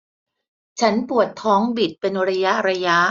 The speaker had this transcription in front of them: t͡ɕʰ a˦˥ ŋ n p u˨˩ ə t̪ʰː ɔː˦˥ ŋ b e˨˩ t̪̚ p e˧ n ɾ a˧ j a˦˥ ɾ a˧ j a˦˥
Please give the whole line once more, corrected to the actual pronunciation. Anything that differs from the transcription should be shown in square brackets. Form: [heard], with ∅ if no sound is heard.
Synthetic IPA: t͡ɕʰ a˦˥ [∅] n p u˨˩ ə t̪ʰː ɔː˦˥ ŋ b [i˨˩] t̪̚ p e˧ n ɾ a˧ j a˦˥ ɾ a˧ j a˦˥